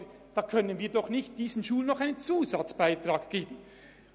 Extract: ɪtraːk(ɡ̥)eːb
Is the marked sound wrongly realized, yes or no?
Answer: no